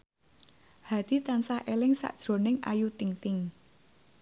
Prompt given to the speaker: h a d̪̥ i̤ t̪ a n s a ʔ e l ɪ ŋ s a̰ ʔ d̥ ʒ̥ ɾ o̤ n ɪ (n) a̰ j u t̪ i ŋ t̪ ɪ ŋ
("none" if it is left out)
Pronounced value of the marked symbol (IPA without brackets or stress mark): ŋ